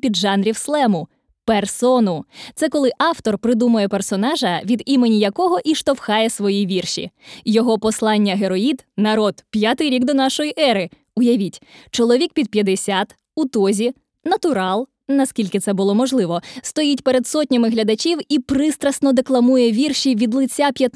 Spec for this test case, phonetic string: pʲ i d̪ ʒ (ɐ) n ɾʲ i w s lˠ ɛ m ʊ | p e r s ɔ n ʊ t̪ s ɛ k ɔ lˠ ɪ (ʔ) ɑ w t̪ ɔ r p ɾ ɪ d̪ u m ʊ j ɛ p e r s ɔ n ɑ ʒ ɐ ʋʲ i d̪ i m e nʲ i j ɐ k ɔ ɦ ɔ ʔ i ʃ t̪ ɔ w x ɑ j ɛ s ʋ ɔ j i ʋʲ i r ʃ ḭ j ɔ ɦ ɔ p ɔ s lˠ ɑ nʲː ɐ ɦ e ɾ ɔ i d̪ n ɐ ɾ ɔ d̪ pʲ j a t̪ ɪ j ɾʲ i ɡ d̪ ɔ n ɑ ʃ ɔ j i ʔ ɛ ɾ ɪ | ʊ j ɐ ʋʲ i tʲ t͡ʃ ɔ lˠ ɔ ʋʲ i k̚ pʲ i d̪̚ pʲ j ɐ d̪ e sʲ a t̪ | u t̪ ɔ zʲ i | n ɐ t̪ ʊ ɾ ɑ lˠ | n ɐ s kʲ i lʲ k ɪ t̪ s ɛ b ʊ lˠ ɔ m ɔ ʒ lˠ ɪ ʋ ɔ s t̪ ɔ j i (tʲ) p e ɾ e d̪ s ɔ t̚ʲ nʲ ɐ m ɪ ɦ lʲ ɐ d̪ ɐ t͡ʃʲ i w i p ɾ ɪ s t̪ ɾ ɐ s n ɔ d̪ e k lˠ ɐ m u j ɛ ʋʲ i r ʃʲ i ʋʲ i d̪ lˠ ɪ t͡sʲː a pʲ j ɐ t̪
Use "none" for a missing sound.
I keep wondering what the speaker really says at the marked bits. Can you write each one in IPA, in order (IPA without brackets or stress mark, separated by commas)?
ɑ, ʔ, tʲ